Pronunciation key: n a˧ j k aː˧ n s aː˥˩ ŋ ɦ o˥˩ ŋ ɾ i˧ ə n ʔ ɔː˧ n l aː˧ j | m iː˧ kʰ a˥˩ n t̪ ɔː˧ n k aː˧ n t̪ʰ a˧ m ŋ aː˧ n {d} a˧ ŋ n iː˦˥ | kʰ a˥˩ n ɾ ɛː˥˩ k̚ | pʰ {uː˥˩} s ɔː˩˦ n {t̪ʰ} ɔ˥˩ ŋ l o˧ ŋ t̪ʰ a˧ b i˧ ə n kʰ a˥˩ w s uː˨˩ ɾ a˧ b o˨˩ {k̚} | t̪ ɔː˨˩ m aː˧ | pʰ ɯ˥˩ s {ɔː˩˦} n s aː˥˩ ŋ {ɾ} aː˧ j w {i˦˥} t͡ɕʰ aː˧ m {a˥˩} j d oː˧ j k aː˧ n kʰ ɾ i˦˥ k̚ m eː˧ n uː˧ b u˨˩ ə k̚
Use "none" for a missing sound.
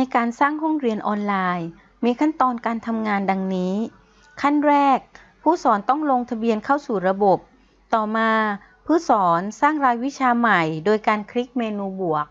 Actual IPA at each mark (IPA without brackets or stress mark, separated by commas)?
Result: d, uː˥˩, t̪, p̚, ɔː˩˦, ɾ, i˦˥, a˨˩